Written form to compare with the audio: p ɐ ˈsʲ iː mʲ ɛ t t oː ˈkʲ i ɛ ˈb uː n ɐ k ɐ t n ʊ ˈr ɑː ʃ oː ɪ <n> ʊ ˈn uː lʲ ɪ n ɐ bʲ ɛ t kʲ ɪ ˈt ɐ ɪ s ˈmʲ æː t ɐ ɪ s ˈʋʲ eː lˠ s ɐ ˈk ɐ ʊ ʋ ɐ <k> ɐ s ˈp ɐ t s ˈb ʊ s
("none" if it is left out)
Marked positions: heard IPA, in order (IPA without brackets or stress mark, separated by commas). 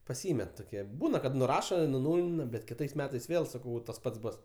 n, t